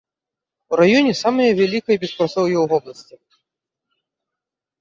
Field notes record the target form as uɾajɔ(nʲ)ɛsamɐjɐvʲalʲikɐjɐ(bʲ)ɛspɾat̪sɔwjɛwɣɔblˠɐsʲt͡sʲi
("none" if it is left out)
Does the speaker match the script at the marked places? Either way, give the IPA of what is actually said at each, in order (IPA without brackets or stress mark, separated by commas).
nʲ, bʲ